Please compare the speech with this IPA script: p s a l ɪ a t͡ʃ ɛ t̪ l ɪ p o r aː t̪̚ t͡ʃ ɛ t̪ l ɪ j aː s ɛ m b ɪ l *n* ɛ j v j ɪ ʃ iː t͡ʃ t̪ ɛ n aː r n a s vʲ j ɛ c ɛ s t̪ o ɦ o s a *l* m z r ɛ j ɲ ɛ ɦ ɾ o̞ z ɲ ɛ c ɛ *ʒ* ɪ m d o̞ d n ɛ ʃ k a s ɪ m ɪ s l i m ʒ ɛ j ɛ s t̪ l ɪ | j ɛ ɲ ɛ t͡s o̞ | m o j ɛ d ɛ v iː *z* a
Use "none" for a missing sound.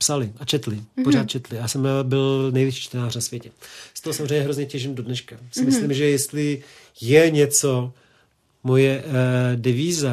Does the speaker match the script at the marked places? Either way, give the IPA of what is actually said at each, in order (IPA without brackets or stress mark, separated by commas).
n, none, ʒ, z